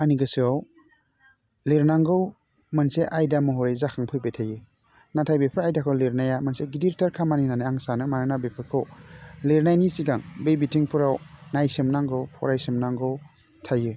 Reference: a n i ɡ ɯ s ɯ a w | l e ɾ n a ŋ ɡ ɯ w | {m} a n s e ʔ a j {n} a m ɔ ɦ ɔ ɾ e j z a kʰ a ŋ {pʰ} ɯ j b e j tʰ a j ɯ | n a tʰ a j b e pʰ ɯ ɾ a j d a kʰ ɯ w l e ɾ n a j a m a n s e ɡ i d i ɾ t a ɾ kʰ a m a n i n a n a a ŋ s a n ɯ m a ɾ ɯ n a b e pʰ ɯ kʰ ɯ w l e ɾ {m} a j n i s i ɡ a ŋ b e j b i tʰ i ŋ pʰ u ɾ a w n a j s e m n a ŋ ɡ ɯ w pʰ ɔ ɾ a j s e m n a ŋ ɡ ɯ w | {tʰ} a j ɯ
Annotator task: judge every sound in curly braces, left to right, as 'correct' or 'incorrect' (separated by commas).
correct, incorrect, correct, incorrect, correct